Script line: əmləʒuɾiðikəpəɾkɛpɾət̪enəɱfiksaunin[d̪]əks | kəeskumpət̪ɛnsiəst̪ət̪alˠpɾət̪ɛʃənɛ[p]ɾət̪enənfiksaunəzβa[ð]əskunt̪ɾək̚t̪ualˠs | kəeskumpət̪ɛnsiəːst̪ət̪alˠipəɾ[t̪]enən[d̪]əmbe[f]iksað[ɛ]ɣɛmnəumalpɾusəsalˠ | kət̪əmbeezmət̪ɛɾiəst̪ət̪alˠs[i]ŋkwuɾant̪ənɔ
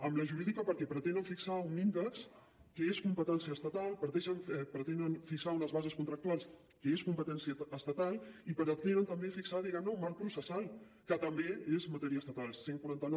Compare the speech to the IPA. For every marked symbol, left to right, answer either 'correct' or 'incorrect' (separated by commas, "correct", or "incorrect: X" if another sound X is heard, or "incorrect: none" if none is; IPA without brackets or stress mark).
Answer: correct, correct, incorrect: z, correct, incorrect: t̪, correct, incorrect: i, incorrect: e